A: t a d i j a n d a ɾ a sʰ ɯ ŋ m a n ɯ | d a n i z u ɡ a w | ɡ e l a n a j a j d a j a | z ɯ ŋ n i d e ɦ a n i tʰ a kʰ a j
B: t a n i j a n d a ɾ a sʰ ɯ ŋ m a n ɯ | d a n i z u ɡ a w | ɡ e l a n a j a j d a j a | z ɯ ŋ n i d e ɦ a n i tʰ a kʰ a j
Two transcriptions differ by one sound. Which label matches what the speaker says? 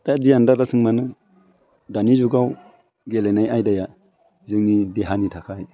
A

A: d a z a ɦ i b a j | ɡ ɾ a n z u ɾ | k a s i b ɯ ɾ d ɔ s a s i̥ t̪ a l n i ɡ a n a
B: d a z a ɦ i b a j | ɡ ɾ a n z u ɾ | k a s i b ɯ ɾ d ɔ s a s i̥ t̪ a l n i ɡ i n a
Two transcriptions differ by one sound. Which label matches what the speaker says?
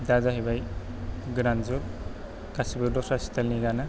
A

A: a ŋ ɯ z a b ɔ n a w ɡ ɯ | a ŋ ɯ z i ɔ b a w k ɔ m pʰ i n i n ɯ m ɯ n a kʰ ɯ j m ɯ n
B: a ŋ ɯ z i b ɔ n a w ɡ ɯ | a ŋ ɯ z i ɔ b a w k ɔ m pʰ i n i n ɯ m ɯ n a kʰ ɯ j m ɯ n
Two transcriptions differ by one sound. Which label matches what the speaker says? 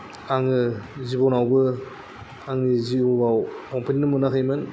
B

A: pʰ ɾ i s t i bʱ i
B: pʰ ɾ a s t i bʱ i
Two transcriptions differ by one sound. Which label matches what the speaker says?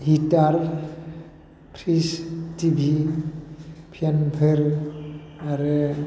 A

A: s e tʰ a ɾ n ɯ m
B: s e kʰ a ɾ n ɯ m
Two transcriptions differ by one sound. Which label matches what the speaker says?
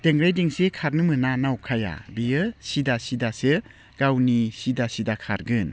B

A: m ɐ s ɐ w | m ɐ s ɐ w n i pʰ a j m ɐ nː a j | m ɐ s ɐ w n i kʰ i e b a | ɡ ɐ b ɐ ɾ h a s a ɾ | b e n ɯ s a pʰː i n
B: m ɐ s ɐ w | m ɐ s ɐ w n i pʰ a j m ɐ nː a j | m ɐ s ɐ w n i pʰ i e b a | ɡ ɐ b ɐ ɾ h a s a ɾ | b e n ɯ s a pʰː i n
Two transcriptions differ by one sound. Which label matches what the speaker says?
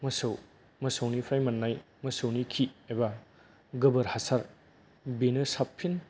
A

